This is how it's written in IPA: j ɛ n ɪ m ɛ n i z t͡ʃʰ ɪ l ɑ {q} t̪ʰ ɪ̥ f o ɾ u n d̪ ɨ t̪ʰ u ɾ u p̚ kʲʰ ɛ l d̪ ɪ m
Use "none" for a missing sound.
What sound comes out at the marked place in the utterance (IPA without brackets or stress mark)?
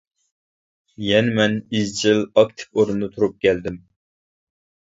k